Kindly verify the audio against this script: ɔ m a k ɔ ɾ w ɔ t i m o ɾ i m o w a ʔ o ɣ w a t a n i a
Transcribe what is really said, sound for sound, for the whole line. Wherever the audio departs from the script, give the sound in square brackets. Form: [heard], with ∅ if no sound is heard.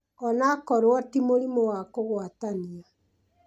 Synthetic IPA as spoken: ɔ [n] a k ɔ ɾ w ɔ t i m o ɾ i m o w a [k] o ɣ w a t a n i a